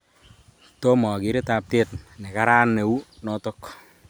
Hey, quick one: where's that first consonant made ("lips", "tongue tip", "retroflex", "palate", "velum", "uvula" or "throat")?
tongue tip